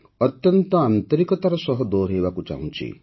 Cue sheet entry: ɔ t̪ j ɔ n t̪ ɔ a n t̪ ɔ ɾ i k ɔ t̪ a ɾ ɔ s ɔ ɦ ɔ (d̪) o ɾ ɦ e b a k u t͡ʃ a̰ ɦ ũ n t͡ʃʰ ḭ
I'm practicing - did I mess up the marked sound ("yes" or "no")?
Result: no